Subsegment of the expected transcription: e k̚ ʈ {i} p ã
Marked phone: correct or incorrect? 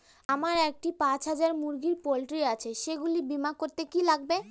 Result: correct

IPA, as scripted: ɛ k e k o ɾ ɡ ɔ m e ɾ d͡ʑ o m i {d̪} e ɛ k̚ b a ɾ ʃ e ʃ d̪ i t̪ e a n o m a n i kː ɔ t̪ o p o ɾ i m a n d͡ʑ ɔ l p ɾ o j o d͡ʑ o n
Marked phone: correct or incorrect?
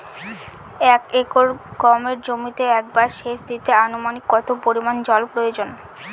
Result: incorrect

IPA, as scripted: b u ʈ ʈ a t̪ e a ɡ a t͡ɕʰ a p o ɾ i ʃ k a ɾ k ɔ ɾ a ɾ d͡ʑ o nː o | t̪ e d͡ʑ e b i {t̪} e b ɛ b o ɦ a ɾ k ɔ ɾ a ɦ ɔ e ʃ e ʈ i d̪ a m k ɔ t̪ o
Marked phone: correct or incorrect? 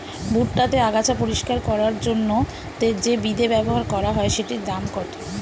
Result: incorrect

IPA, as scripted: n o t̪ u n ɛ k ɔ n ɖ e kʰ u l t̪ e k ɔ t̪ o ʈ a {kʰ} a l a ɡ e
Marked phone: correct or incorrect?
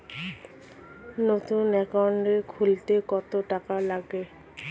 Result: incorrect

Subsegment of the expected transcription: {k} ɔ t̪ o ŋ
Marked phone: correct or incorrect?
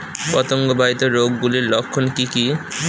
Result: incorrect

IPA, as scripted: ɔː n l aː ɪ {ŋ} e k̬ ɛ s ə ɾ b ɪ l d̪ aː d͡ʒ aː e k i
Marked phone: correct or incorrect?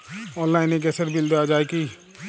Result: incorrect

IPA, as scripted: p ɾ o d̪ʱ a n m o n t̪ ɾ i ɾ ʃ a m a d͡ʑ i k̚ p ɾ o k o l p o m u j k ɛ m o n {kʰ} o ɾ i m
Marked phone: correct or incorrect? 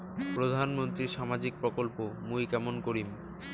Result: incorrect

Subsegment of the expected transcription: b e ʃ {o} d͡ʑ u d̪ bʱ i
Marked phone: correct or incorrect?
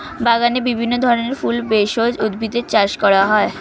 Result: correct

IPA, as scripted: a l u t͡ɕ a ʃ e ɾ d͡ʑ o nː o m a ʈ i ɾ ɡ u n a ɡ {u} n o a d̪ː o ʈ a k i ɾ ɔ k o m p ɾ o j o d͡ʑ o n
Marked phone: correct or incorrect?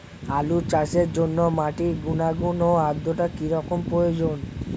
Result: correct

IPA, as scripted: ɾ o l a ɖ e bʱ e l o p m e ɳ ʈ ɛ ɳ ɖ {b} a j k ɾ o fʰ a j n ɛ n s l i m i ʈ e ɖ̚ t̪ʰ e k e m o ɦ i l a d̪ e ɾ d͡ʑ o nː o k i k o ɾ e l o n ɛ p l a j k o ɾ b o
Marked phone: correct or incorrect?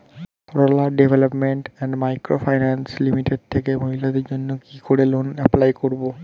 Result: incorrect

